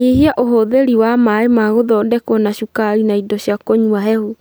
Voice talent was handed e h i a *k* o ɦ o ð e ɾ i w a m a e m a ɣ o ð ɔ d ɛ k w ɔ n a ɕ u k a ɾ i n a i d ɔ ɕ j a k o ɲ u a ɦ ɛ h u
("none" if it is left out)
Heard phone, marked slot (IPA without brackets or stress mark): ʔ